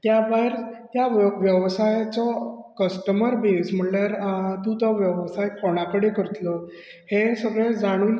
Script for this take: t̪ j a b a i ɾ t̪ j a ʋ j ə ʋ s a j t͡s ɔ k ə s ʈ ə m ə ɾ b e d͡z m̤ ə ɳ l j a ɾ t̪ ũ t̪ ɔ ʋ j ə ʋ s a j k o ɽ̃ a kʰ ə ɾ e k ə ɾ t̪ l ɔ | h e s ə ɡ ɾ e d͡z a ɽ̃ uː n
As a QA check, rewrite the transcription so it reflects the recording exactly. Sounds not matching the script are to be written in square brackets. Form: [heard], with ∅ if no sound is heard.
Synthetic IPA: t̪ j a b a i ɾ t̪ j a ʋ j ə ʋ s a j t͡s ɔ k ə s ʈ ə m ə ɾ b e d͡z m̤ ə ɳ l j a ɾ t̪ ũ t̪ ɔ ʋ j ə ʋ s a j k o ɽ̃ a [k] ə [ɽ] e k ə ɾ t̪ l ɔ | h e s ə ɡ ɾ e d͡z a ɽ̃ uː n